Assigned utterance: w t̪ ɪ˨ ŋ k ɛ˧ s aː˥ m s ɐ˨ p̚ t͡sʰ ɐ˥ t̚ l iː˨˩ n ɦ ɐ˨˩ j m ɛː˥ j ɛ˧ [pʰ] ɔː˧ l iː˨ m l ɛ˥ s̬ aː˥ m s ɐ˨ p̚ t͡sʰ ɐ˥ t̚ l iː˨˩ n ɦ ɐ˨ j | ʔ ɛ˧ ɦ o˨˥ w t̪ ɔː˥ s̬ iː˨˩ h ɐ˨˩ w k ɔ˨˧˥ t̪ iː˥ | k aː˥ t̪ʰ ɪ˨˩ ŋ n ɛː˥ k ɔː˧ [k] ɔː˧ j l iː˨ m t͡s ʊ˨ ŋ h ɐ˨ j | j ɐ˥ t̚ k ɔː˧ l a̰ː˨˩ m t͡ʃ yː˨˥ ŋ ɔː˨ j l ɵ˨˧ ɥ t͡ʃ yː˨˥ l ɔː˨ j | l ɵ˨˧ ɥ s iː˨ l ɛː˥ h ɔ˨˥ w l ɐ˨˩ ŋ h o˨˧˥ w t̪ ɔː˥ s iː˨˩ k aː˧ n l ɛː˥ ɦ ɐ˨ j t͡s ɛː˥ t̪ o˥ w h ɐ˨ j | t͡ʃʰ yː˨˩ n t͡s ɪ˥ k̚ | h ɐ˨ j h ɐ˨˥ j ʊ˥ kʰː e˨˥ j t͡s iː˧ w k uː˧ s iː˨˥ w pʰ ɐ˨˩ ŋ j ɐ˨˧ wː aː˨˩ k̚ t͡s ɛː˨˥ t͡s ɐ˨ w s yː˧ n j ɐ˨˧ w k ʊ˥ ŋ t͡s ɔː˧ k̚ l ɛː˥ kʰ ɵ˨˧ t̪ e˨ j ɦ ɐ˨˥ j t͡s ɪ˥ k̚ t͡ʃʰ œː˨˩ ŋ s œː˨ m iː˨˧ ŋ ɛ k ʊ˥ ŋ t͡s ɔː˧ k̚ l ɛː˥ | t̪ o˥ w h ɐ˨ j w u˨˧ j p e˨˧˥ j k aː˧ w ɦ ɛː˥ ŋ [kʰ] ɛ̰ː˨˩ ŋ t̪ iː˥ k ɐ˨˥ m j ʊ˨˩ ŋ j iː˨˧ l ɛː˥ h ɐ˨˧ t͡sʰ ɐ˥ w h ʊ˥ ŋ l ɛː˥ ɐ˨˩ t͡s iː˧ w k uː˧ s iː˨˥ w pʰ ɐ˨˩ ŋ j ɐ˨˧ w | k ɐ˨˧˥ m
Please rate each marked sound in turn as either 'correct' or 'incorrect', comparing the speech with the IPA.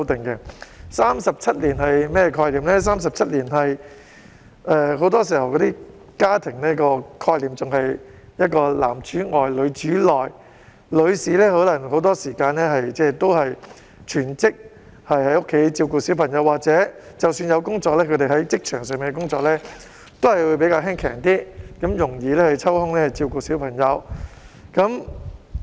incorrect: kʰ, incorrect: kʰ, correct

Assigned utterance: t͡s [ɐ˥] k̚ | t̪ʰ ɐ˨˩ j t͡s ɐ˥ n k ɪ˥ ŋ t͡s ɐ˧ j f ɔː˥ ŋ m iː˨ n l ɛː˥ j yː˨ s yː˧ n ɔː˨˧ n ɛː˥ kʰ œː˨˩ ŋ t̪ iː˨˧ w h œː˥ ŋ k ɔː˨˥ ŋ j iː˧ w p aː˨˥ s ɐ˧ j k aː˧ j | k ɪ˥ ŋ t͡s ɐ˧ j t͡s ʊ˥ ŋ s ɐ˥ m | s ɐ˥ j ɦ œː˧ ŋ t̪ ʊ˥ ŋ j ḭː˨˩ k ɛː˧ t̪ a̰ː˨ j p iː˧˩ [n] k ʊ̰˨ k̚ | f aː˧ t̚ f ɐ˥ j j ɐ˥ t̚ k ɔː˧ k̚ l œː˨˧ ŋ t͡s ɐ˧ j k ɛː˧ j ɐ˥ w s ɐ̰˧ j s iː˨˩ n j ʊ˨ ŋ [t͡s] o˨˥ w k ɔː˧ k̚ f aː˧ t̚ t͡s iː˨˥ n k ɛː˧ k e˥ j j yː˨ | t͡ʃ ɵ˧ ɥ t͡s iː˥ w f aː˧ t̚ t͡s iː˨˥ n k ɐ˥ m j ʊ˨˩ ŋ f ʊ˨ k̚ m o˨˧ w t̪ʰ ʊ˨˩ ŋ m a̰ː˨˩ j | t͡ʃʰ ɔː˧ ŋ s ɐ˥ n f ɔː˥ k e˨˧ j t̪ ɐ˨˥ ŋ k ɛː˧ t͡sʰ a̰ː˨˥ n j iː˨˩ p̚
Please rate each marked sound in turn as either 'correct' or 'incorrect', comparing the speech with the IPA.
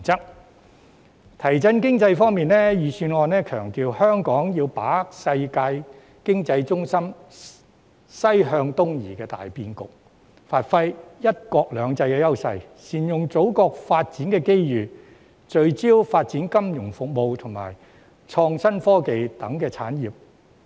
correct, correct, correct

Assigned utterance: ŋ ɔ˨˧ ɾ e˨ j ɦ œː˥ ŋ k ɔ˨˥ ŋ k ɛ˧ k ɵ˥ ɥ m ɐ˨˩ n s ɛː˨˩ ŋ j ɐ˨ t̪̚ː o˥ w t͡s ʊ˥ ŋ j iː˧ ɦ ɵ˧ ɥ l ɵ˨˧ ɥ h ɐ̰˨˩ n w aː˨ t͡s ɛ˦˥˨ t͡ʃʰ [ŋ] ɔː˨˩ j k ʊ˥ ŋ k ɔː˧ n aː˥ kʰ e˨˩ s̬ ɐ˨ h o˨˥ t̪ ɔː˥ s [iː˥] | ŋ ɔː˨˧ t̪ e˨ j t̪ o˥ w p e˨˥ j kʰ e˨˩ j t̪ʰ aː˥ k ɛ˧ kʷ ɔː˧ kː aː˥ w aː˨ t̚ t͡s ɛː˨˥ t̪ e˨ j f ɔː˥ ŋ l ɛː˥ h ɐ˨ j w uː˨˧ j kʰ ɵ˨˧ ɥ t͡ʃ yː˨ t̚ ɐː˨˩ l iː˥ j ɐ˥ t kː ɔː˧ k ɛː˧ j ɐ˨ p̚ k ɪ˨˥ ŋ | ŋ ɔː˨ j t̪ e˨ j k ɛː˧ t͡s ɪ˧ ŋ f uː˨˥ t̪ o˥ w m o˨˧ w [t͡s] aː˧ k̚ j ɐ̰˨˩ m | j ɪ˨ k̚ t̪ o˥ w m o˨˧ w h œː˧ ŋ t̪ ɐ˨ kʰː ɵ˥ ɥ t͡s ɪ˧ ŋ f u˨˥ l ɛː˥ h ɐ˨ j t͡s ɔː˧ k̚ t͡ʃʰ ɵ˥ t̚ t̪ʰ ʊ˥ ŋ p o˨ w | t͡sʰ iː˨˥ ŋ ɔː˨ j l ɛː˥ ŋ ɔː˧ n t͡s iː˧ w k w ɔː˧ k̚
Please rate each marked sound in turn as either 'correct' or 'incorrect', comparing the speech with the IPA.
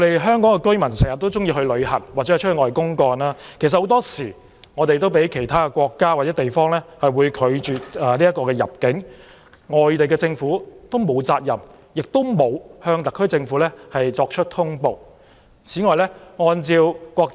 correct, incorrect: iː˨˩, correct

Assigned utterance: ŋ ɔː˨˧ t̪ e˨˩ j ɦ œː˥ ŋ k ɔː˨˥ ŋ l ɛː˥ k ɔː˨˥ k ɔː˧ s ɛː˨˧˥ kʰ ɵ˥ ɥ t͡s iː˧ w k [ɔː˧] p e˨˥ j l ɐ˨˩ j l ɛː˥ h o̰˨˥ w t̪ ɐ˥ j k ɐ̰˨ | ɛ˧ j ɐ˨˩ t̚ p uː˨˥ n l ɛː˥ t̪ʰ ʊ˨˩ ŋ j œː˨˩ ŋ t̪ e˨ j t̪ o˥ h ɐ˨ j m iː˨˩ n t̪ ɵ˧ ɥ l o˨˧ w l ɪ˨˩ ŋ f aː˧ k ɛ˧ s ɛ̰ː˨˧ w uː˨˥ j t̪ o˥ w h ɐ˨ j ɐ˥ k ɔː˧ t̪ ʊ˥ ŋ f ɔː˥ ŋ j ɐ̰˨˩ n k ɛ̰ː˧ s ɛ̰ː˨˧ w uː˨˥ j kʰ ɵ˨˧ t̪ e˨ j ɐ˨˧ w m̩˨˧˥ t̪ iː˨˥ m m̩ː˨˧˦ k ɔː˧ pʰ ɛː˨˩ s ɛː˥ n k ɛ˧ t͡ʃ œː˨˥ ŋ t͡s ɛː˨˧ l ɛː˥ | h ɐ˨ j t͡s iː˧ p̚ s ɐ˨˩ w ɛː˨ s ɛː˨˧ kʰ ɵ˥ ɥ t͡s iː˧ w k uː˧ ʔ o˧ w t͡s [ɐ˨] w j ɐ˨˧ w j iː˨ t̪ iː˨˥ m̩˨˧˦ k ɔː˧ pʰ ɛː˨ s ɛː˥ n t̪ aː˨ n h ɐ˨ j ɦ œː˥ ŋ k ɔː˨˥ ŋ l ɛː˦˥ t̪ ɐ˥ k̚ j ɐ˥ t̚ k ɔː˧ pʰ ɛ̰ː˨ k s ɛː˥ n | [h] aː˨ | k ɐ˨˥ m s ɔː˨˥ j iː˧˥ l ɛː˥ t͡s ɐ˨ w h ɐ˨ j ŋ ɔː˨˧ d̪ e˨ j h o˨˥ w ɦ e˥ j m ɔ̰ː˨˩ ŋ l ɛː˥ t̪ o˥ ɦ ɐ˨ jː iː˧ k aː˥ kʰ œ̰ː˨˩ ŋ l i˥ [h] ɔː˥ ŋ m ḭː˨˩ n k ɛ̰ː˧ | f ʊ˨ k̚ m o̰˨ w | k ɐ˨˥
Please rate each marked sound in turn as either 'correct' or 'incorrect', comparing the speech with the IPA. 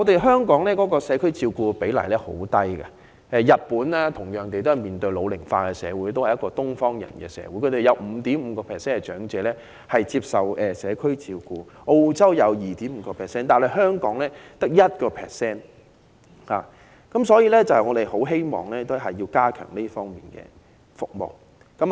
incorrect: uː˧, incorrect: ɐ˥, correct, incorrect: f

